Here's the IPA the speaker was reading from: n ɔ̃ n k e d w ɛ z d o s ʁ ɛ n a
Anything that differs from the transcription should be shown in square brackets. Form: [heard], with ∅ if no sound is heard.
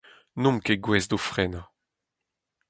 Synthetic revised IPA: n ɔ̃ [m] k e [ɡ] w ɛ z d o [f] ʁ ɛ n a